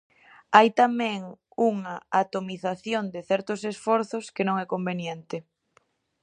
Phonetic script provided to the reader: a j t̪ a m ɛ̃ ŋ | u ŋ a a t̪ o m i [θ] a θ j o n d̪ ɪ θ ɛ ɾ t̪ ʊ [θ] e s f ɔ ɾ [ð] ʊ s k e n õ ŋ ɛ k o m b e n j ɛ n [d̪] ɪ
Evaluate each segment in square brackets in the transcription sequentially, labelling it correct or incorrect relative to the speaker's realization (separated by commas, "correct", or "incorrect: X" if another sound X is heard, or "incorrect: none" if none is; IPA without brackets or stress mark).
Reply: correct, incorrect: s, incorrect: θ, incorrect: t̪